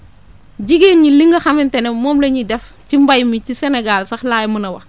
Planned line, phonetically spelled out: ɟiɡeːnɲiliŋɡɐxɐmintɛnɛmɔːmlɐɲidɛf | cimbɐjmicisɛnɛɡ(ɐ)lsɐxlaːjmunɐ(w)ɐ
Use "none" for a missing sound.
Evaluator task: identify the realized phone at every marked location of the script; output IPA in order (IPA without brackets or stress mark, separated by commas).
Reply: a, w